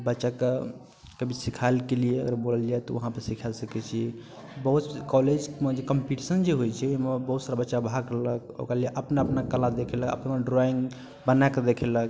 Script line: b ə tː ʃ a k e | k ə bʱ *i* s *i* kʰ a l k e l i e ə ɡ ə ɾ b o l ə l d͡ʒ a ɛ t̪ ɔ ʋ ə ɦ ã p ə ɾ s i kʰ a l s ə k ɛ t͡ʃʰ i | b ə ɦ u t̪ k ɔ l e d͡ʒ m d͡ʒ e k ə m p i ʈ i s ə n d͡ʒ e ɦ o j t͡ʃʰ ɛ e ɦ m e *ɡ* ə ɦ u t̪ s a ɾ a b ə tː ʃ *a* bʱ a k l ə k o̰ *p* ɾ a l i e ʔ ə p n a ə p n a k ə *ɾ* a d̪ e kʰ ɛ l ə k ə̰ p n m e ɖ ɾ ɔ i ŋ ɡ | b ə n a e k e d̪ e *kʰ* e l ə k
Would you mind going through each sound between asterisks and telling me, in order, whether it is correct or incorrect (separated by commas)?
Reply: correct, correct, incorrect, correct, incorrect, incorrect, correct